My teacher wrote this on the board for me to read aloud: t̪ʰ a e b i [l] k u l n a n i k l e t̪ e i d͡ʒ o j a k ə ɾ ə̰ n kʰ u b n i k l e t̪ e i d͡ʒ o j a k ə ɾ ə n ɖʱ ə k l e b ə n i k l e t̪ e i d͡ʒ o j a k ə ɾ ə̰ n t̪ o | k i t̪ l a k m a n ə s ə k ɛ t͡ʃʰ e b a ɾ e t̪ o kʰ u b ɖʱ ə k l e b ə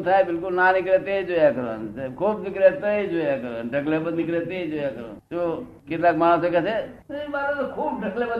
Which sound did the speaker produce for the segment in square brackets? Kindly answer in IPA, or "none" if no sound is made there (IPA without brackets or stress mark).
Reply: l